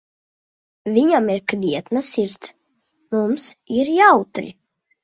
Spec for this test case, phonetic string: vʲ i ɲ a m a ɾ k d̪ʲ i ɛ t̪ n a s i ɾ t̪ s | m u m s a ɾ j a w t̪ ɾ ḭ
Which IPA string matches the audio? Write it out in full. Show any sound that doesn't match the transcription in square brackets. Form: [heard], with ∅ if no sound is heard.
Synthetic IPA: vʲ i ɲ a m [i] ɾ k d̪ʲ i ɛ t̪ n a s i ɾ t̪ s | m u m s [i] ɾ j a w t̪ ɾ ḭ